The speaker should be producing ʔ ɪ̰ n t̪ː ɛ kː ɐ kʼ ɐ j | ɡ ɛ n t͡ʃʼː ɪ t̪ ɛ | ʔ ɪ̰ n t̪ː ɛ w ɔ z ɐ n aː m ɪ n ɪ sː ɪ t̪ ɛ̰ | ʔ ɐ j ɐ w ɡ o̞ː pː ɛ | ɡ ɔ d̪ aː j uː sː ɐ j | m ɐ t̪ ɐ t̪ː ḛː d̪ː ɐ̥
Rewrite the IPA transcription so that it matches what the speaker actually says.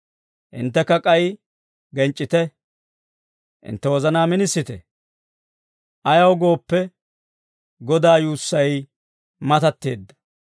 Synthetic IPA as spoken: ʔ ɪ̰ n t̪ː ɛ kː ɐ kʼ ɐ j | ɡ ɛ n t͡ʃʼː ɪ t̪ ɛ | ʔ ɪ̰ n t̪ː ɛ w ɔ z ɐ n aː m ɪ n ɪ sː ɪ t̪ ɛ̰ | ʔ ɐ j ɐ w ɡ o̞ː pː ɛ | ɡ ɔ d̪ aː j uː sː ɐ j | m ɐ t̪ ɐ t̪ː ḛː d̪ː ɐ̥

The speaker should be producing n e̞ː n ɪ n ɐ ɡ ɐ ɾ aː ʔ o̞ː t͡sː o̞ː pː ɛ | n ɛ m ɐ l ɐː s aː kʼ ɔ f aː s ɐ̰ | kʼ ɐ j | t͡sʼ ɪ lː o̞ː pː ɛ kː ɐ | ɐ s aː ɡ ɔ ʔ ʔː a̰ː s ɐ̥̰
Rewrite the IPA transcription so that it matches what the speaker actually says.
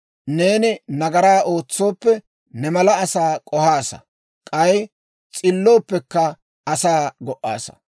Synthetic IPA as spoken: n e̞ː n ɪ n ɐ ɡ ɐ ɾ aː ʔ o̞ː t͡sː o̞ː pː ɛ | n ɛ m ɐ l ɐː s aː kʼ ɔ h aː s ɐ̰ | kʼ ɐ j | t͡sʼ ɪ lː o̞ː pː ɛ kː ɐ | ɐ s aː ɡ ɔ ʔ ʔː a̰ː s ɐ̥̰

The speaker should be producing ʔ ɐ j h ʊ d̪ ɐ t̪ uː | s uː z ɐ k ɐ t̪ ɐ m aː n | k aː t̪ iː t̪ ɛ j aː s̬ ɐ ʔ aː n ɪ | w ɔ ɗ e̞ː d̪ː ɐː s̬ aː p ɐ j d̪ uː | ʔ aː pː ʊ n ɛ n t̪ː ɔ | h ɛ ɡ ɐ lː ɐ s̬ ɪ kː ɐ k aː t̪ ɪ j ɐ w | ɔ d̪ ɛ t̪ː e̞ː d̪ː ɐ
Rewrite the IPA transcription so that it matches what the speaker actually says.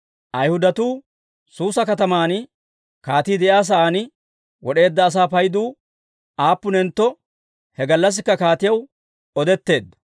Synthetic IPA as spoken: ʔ ɐ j h ʊ d̪ ɐ t̪ uː | s uː s ɐ k ɐ t̪ ɐ m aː n | k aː t̪ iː d̪ ɛ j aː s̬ ɐ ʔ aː n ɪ | w ɔ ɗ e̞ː d̪ː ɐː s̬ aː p ɐ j d̪ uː | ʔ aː pː ʊ n ɛ n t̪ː ɔ | h ɛ ɡ ɐ lː ɐ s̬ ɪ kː ɐ k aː t̪ ɪ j ɐ w | ɔ d̪ ɛ t̪ː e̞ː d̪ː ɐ

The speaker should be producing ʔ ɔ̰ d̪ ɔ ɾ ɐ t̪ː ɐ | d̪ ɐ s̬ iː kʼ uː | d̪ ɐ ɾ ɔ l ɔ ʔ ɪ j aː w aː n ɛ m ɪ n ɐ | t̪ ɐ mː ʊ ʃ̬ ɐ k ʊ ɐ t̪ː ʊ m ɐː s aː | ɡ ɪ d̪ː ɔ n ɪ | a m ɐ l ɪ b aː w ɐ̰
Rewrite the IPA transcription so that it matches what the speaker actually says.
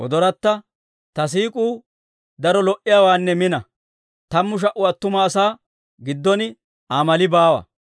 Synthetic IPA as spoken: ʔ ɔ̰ d̪ ɔ ɾ ɐ t̪ː ɐ | t̪ ɐ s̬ iː kʼ uː | d̪ ɐ ɾ ɔ l ɔ ʔ ɪ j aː w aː nː ɛ m ɪ n ɐ | t̪ ɐ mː ʊ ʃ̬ ɐ ʔ ʊ ɐ t̪ː ʊ m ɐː s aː | ɡ ɪ d̪ː ɔ n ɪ | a m ɐ l ɪ b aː w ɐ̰

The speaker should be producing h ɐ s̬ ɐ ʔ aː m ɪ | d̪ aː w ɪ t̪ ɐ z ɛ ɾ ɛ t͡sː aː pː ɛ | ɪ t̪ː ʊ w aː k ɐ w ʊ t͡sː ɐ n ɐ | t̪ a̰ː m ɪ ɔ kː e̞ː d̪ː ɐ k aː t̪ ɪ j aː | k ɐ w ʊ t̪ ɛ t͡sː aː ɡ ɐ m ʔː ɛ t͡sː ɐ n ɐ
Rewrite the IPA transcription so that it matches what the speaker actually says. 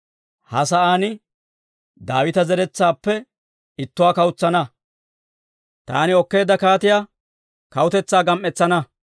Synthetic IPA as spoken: h ɐ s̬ ɐ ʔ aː n ɪ | d̪ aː w ɪ t̪ ɐ z ɛ ɾ ɛ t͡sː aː pː ɛ | ɪ t̪ː ʊ w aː k ɐ w ʊ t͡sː ɐ n ɐ | t̪ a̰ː n ɪ ɔ kː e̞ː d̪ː ɐ k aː t̪ ɪ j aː | k ɐ w ʊ t̪ ɛ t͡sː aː ɡ ɐ m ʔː ɛ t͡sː ɐ n ɐ

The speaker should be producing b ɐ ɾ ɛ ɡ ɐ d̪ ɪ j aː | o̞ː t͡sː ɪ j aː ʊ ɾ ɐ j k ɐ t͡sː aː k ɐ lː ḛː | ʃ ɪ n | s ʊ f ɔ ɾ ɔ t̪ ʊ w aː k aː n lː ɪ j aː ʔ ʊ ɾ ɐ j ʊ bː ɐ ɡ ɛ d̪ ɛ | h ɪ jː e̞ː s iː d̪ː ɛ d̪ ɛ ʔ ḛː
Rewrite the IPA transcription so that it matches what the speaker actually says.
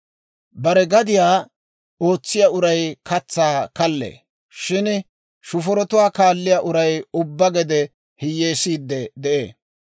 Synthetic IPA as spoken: b ɐ ɾ ɛ ɡ ɐ d̪ ɪ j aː | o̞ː t͡sː ɪ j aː ʊ ɾ ɐ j k ɐ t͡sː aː k ɐ lː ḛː | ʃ ɪ n | ʃ ʊ f ɔ ɾ ɔ t̪ ʊ w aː k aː lː ɪ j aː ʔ ʊ ɾ ɐ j ʊ bː ɐ ɡ ɛ d̪ ɛ | h ɪ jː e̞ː s iː d̪ː ɛ d̪ ɛ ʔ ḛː

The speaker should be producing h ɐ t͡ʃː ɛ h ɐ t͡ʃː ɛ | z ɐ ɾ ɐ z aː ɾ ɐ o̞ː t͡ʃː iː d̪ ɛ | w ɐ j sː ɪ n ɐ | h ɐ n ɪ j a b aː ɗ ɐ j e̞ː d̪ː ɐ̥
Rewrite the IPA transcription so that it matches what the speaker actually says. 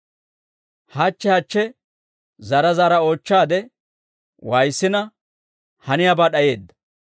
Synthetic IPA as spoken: h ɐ t͡ʃː ɛ h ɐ t͡ʃː ɛ | z ɐ ɾ ɐ z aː ɾ ɐ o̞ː t͡ʃː aː d̪ ɛ | w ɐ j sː ɪ n ɐ | h ɐ n ɪ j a b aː ɗ ɐ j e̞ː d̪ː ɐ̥

